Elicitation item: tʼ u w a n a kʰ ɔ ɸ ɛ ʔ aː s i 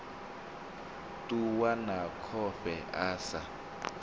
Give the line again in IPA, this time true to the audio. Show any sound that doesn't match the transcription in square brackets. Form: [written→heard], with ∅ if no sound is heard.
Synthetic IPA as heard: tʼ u w a n a kʰ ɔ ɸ ɛ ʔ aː s [i→a]